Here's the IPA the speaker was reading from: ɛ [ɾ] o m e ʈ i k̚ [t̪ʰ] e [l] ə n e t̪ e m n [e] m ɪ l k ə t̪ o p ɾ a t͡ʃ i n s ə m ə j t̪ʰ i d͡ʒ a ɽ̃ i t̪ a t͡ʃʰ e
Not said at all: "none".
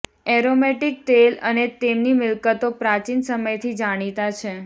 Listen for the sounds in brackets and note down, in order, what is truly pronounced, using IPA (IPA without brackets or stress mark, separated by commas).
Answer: ɾ, t̪, l, i